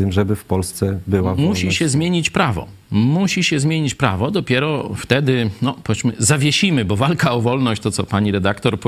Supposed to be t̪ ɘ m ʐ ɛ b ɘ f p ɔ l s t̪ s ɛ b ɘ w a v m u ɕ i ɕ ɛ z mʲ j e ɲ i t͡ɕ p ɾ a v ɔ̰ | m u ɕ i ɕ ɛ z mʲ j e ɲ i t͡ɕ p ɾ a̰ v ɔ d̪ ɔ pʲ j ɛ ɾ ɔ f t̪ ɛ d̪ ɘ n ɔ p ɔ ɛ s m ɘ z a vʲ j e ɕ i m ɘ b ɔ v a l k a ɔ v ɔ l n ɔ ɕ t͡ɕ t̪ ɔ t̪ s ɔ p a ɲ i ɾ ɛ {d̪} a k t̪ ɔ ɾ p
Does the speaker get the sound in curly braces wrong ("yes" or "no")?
no